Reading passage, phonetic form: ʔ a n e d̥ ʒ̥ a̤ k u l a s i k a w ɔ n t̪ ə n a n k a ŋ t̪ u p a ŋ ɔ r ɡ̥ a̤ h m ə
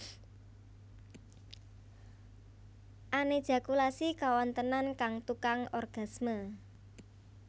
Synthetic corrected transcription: ʔ a n e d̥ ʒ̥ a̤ k u l a s i k a w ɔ n t̪ ə n a n k a ŋ t̪ u k a ŋ ɔ r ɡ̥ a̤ s m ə

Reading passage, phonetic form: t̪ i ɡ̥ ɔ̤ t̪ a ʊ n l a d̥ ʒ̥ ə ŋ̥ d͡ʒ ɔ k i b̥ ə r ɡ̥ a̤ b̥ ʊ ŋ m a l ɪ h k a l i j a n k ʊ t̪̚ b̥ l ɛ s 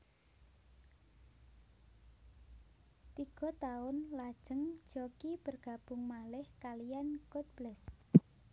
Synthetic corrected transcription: t̪ i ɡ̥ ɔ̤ t̪ a ʊ n l a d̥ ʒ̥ ə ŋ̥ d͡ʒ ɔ k i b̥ ə r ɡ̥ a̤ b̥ ʊ ŋ m a l ɪ h k a l i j a n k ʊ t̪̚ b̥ l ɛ s

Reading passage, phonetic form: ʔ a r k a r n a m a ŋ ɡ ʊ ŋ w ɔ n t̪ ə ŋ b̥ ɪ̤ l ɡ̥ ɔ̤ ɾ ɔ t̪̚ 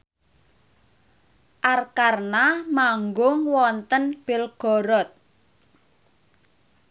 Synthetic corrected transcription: ʔ a r k a r n a m a ŋ ɡ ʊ ŋ w ɔ n t̪ ə n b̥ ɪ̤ l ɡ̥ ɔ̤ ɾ ɔ t̪̚

